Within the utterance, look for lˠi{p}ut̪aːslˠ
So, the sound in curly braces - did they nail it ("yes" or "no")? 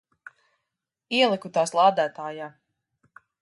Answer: no